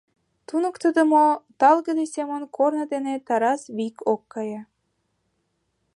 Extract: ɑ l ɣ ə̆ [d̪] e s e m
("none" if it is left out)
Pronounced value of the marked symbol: d̪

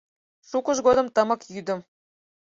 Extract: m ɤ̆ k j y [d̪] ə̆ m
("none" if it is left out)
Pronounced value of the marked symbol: d̪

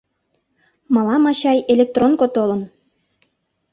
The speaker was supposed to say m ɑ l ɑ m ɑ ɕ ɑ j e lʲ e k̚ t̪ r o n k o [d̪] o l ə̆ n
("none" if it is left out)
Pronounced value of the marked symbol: t̪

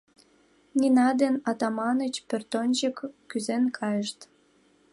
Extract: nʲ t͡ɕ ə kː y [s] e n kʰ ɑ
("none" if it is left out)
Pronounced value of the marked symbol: z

